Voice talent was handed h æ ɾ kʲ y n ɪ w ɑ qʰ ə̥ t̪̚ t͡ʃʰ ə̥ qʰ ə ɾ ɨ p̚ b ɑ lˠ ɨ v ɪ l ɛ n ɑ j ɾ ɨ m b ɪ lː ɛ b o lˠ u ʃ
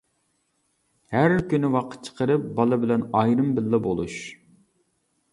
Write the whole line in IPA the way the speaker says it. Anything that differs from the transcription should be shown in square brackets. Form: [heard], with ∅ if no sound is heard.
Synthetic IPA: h æ ɾ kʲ y n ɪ w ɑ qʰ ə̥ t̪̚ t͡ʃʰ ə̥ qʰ ə ɾ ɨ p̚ b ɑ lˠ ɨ [b] ɪ l ɛ n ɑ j ɾ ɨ m b ɪ lː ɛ b o lˠ u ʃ